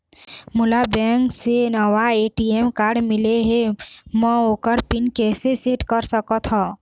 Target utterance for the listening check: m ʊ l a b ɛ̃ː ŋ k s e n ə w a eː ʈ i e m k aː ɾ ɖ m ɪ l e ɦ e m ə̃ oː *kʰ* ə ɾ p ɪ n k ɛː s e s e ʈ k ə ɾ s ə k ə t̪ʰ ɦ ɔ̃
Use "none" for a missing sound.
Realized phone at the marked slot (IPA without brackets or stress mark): k